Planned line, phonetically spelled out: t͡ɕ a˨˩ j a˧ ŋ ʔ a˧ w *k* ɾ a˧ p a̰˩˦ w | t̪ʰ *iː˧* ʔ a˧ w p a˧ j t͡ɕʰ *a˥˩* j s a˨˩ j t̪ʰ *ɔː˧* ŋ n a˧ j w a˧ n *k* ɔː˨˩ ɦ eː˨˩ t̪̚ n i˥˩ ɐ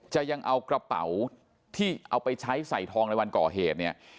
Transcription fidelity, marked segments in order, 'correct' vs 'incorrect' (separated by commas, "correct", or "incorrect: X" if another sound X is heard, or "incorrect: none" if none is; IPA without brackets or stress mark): correct, incorrect: iː˥˩, incorrect: a˦˥, correct, correct